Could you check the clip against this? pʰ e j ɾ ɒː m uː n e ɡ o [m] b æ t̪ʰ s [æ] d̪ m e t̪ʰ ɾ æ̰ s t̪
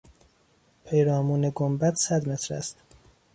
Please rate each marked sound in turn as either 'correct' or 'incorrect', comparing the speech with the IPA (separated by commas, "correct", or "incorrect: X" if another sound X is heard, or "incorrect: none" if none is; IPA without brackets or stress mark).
correct, correct